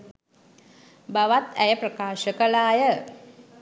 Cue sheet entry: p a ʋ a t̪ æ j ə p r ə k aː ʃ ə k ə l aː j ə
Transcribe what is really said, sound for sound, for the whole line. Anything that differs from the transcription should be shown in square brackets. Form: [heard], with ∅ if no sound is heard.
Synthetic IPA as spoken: [b] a ʋ a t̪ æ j ə p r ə k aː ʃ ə k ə l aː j ə